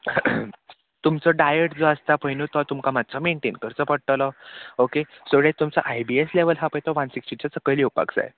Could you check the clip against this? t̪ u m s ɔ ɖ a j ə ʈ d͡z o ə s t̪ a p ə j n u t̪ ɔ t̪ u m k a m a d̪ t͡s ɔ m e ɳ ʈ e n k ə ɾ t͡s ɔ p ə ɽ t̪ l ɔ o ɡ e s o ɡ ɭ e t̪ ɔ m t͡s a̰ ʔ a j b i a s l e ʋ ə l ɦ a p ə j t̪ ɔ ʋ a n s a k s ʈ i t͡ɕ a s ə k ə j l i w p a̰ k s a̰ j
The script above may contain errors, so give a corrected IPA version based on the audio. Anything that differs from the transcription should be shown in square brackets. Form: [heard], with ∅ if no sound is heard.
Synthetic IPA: t̪ u m [t͡s] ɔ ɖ a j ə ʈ d͡z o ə s t̪ a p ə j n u t̪ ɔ t̪ u m k a m a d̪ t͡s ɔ m e ɳ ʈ e n k ə ɾ t͡s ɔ p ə ɽ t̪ l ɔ o [k] e s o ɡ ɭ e t̪ [u] m t͡s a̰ ʔ a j b i [e] s l e ʋ ə l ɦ a p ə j t̪ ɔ ʋ a n s [i] k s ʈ i t͡ɕ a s ə k ə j l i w p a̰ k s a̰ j